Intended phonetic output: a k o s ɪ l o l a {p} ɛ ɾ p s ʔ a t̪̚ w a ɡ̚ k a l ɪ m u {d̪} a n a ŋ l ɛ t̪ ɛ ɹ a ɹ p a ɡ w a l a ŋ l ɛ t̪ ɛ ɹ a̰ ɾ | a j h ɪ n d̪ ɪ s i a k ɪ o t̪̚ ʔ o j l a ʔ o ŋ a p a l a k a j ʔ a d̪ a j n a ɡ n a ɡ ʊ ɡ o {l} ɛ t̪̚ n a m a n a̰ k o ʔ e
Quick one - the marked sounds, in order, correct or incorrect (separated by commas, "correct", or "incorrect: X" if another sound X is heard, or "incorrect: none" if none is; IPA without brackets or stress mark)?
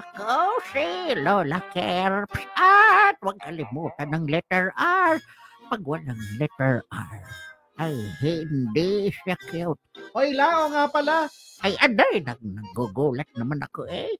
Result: incorrect: k, incorrect: t̪, correct